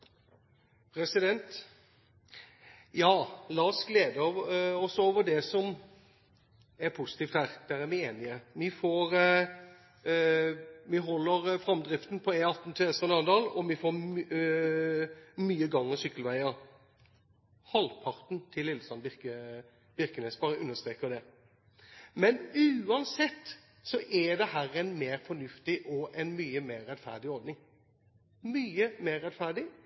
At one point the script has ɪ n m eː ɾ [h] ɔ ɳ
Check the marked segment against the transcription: incorrect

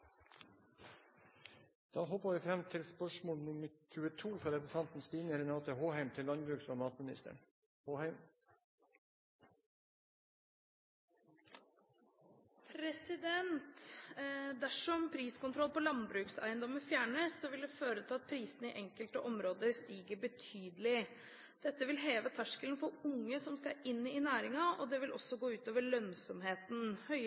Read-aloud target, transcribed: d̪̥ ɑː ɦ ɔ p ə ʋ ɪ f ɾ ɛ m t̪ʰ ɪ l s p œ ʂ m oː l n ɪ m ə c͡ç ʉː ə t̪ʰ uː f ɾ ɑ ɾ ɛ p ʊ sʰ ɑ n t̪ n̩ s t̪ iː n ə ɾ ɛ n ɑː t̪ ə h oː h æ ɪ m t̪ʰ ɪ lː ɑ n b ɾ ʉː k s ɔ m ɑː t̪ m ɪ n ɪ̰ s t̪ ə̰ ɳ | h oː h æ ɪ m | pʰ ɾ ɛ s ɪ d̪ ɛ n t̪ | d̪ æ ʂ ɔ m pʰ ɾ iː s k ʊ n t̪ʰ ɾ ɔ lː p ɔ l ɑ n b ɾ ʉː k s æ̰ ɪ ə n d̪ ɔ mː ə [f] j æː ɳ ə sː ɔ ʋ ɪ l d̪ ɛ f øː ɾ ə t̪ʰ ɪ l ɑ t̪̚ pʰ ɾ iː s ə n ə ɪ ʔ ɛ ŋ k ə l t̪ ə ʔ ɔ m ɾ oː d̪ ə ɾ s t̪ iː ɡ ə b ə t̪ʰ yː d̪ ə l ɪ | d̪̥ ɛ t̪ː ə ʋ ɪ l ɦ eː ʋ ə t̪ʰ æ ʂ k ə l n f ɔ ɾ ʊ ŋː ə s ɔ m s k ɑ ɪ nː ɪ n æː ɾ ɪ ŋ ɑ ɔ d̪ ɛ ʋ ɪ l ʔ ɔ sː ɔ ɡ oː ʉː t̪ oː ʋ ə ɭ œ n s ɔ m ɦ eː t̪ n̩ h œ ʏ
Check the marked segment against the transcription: correct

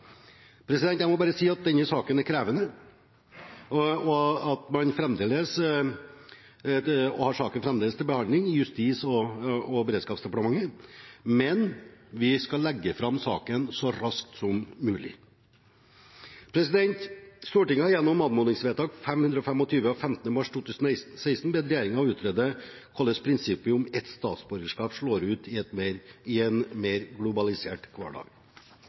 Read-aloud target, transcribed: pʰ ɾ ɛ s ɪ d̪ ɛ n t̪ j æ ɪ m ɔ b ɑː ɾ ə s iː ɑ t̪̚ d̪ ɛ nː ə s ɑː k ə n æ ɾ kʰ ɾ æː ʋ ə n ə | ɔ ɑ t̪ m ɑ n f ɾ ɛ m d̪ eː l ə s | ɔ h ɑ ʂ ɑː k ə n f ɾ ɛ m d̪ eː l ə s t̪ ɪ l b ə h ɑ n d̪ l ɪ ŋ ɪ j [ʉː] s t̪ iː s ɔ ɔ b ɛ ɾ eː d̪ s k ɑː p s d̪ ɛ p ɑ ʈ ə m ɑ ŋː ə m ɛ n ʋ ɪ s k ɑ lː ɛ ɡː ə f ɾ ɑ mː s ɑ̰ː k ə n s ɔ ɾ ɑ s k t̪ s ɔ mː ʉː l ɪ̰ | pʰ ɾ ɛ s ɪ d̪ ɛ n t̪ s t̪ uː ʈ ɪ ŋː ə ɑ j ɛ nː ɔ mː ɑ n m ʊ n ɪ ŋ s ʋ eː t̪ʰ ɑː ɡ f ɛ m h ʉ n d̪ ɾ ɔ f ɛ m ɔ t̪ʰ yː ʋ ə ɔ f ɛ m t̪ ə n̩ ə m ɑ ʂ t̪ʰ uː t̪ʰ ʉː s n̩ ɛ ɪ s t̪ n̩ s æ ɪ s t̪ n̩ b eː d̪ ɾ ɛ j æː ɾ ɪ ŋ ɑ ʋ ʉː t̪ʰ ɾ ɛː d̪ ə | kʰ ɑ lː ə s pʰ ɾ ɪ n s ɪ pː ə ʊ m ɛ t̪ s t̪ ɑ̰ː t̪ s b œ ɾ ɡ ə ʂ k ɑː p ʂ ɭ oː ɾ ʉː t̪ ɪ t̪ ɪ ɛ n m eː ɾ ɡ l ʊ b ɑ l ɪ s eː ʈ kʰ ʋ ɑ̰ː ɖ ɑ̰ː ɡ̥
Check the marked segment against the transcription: incorrect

